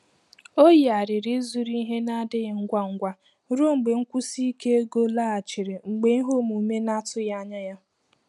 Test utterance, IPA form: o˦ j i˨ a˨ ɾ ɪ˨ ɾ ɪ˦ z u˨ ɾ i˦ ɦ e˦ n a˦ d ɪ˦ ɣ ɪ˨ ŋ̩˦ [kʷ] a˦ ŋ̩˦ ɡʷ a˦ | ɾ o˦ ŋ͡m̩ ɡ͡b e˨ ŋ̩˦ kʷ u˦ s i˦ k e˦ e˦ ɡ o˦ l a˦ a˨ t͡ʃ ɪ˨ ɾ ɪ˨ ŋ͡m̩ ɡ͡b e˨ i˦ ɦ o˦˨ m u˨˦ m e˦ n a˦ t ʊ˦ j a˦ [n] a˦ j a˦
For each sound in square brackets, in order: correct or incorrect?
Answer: incorrect, incorrect

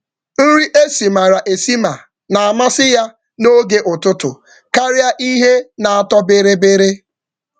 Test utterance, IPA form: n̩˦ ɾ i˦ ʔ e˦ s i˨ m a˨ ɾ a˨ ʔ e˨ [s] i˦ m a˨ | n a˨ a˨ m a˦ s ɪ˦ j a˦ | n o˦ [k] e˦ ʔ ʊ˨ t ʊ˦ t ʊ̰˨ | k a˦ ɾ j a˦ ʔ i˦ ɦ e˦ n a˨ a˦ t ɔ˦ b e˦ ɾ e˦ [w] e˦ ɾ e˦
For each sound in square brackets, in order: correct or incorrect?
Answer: correct, incorrect, incorrect

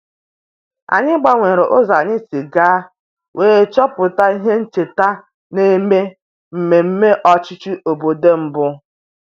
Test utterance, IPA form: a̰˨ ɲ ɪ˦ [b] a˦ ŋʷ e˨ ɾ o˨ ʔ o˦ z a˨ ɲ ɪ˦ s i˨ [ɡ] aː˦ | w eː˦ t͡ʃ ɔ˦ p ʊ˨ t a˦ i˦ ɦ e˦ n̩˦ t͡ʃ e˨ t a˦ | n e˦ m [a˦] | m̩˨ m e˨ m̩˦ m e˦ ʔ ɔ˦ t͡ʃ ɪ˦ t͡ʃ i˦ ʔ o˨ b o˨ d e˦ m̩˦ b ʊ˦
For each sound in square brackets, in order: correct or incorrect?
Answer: incorrect, correct, incorrect

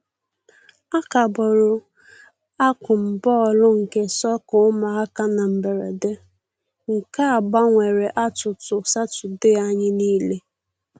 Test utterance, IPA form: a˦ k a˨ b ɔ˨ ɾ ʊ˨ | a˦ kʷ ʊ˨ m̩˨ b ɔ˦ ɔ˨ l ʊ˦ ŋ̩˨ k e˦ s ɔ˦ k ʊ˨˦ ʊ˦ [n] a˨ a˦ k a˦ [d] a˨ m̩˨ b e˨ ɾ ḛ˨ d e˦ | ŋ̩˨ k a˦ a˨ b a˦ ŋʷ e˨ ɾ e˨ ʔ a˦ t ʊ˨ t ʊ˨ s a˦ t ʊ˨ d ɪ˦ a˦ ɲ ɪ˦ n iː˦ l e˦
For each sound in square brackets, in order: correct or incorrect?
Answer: incorrect, incorrect

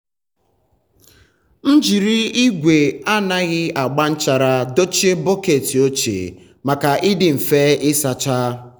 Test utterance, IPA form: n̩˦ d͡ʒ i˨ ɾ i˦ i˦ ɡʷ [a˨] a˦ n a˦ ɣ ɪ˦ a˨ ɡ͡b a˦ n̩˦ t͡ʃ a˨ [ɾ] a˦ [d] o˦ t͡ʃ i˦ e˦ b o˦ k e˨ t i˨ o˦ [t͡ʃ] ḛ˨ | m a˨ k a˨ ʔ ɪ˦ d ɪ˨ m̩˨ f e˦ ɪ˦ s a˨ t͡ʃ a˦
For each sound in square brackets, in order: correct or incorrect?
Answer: incorrect, correct, correct, correct

